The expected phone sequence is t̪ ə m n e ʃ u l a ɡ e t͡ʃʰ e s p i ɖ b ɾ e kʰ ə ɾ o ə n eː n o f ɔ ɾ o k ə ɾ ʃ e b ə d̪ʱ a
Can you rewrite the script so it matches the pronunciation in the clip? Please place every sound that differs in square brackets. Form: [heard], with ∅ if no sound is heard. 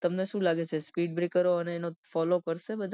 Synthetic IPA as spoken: t̪ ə m n e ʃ [ũ] l a ɡ e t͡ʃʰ e s p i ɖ b ɾ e [k] ə ɾ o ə n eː n o f ɔ [l] o k ə ɾ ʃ e b ə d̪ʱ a